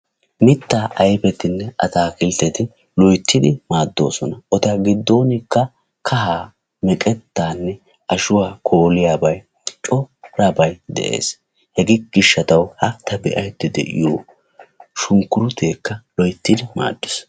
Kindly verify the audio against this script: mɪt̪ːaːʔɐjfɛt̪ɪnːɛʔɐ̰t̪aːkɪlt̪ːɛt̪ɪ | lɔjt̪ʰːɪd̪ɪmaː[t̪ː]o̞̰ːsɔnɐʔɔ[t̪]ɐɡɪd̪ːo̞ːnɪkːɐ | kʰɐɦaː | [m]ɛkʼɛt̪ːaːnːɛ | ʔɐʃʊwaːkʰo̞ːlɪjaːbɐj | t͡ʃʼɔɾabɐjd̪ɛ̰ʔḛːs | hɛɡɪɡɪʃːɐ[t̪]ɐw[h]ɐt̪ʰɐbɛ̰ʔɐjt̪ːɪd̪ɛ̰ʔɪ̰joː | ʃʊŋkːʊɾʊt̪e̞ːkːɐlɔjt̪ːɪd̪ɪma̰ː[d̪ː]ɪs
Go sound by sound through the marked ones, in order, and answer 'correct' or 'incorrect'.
incorrect: d̪ː, correct, correct, correct, correct, correct

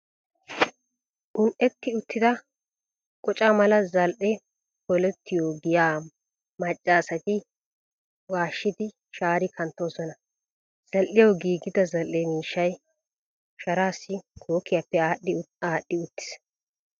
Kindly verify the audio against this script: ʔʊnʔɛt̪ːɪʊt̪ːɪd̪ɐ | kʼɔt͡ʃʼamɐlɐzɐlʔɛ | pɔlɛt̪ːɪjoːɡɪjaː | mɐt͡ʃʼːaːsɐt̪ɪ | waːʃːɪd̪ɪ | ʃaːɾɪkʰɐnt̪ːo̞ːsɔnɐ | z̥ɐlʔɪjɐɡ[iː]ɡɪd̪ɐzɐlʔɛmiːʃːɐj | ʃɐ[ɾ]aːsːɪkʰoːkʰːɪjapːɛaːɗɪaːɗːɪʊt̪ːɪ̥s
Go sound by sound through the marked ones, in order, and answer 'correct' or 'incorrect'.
correct, correct

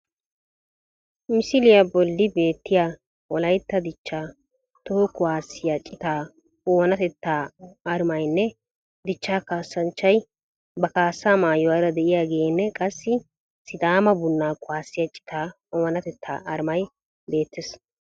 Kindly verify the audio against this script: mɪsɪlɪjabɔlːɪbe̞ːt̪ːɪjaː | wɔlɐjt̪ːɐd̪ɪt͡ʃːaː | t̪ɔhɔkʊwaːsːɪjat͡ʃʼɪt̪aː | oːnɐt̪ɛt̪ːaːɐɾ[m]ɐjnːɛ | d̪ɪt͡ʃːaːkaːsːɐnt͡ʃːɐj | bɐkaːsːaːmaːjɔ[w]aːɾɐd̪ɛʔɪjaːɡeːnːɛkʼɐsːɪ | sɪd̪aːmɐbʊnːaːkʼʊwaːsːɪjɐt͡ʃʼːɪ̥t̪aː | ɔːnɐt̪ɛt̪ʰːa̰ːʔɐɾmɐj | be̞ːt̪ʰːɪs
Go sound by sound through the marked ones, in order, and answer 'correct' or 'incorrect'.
correct, correct

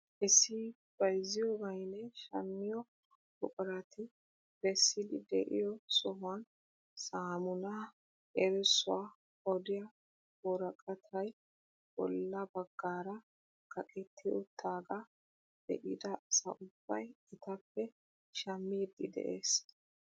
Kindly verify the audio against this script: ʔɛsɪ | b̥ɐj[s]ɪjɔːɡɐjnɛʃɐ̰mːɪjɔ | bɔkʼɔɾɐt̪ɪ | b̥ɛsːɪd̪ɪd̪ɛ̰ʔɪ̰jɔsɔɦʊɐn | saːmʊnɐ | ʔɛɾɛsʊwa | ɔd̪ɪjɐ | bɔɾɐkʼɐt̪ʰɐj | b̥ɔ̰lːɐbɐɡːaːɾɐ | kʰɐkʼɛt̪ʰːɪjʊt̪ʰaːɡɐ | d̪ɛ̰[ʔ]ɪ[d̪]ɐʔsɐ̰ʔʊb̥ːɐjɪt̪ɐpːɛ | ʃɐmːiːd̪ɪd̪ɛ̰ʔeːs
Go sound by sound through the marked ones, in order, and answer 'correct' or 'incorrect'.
incorrect: z, correct, correct

